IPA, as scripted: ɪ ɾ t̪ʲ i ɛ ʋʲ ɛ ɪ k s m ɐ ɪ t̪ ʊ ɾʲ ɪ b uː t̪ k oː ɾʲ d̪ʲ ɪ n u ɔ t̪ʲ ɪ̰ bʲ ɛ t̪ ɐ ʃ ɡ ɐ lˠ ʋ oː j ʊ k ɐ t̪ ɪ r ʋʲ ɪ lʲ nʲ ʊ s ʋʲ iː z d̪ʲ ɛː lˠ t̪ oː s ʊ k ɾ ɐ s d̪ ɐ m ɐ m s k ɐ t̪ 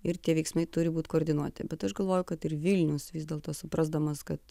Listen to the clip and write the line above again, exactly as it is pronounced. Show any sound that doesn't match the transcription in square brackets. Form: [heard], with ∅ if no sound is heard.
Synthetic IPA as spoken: ɪ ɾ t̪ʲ i ɛ ʋʲ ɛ ɪ k s m ɐ ɪ t̪ ʊ ɾʲ ɪ b uː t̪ k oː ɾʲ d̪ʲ ɪ n u ɔ t̪ʲ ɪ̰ bʲ ɛ t̪ ɐ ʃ ɡ ɐ lˠ ʋ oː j ʊ k ɐ t̪ ɪ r ʋʲ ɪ lʲ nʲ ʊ s ʋʲ iː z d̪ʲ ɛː lˠ t̪ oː s ʊ [p] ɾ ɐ [z] d̪ ɐ m ɐ [∅] s k ɐ t̪

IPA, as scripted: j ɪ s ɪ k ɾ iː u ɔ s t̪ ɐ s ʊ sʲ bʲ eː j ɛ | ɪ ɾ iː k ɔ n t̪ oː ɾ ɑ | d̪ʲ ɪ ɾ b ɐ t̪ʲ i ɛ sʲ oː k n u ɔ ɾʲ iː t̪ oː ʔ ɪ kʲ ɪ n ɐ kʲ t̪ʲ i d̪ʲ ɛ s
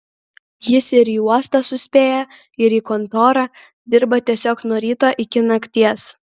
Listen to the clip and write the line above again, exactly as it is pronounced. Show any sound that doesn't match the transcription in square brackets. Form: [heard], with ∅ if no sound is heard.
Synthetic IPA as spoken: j ɪ s ɪ [∅] ɾ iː u ɔ s t̪ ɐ s ʊ sʲ [pʲ] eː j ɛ | ɪ ɾ iː k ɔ n t̪ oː ɾ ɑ | d̪ʲ ɪ ɾ b ɐ t̪ʲ i ɛ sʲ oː k n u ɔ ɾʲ iː t̪ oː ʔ ɪ kʲ ɪ n ɐ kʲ t̪ʲ i [∅] ɛ s

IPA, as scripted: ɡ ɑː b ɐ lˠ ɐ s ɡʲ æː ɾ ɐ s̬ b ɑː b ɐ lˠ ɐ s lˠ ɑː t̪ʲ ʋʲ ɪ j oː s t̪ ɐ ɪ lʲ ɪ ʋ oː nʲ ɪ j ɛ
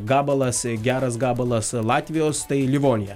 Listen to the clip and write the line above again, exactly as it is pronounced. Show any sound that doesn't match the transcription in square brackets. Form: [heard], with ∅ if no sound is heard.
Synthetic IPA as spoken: ɡ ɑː b ɐ lˠ ɐ s ɡʲ æː ɾ ɐ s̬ [ɡ] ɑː b ɐ lˠ ɐ s lˠ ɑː t̪ʲ ʋʲ ɪ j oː s t̪ ɐ ɪ lʲ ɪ ʋ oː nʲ ɪ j ɛ

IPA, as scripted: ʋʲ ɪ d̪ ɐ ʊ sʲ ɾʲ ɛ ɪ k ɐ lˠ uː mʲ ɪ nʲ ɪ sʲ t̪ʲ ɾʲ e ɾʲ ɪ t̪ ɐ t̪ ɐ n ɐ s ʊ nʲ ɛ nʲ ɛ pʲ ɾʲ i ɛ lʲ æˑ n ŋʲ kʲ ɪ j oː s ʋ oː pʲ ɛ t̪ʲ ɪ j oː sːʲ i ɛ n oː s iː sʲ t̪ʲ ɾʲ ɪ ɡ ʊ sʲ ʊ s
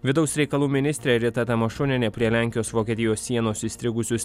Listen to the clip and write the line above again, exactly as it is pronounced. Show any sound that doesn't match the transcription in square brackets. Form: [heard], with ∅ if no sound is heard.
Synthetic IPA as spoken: ʋʲ ɪ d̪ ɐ ʊ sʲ ɾʲ ɛ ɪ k ɐ lˠ uː mʲ ɪ nʲ ɪ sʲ t̪ʲ ɾʲ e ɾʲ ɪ t̪ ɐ t̪ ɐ [m] ɐ [ʃ] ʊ nʲ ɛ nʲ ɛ pʲ ɾʲ i ɛ lʲ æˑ [∅] ŋʲ kʲ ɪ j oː s ʋ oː [kʲ] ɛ t̪ʲ ɪ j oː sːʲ i ɛ n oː s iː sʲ t̪ʲ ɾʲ ɪ ɡ ʊ sʲ ʊ s

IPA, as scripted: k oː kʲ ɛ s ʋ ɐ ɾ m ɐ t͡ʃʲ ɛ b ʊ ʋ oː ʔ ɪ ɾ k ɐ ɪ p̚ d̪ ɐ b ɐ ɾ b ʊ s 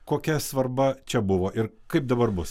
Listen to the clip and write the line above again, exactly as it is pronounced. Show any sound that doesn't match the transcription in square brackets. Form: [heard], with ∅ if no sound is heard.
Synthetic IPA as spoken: k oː kʲ ɛ s ʋ ɐ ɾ [b] ɐ t͡ʃʲ ɛ b ʊ ʋ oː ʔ ɪ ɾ k ɐ ɪ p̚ d̪ ɐ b ɐ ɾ b ʊ s

